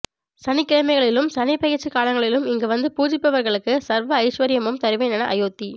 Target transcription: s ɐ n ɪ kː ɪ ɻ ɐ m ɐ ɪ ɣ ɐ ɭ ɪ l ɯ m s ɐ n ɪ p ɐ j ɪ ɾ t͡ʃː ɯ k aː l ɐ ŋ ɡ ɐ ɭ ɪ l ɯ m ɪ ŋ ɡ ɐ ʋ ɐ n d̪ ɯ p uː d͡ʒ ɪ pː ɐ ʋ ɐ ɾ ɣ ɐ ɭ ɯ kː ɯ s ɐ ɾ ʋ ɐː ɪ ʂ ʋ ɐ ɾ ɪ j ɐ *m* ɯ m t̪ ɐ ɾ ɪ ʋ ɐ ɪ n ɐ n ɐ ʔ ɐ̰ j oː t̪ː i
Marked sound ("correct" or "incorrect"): correct